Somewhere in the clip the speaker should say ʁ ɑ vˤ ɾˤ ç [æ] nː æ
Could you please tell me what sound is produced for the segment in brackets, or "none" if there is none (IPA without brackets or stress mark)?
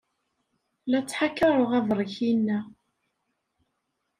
i